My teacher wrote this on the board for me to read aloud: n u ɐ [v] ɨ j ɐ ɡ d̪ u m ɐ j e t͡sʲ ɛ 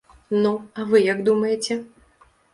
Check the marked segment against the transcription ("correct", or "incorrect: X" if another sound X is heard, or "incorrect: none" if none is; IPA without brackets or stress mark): correct